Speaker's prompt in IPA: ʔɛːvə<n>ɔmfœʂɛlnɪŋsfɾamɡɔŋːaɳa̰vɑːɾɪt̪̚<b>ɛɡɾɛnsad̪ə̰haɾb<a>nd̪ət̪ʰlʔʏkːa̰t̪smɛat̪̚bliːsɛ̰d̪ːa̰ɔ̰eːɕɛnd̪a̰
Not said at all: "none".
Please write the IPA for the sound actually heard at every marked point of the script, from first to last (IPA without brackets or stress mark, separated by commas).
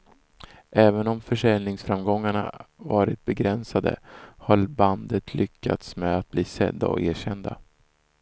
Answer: n, b, a